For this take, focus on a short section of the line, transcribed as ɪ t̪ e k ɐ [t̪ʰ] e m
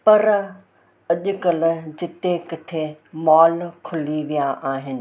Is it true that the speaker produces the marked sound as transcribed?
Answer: yes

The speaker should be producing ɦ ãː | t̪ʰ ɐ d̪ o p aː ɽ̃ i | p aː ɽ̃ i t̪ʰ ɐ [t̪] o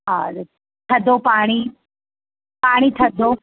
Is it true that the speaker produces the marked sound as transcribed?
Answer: no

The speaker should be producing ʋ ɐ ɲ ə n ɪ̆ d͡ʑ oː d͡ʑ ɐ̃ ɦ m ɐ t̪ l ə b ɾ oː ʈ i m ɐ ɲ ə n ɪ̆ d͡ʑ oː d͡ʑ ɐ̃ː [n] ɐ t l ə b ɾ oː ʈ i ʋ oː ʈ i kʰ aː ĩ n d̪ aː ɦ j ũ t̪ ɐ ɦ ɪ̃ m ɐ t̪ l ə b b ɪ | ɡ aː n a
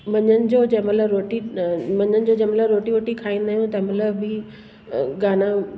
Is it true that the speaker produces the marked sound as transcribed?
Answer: no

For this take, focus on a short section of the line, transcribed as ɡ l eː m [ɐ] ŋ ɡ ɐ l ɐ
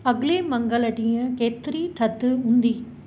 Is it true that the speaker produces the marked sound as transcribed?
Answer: yes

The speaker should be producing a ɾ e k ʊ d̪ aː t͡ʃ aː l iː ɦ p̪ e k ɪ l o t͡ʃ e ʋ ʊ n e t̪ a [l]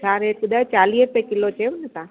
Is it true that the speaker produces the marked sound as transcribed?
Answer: no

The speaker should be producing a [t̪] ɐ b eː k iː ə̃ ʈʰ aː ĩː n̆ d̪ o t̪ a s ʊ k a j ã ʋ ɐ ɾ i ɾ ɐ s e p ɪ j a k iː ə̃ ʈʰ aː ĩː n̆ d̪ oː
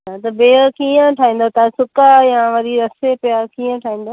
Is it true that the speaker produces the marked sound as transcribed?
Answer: yes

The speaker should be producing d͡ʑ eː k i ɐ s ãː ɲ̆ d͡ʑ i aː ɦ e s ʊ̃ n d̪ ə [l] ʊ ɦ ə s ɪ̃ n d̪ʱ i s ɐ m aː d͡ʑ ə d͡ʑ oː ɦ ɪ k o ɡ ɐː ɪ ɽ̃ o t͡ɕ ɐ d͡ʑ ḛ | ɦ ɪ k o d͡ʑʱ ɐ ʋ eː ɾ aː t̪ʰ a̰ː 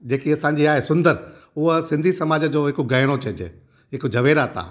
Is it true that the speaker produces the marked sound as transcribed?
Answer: no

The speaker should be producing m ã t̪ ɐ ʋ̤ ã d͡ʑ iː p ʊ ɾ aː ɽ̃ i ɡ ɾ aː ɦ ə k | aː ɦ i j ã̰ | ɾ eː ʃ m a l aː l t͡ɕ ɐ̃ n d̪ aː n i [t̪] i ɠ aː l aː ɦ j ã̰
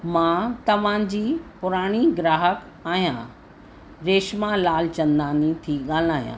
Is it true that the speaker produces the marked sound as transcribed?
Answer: no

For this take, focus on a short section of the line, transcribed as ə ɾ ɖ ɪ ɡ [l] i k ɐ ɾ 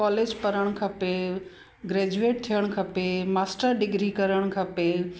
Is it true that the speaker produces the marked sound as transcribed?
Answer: no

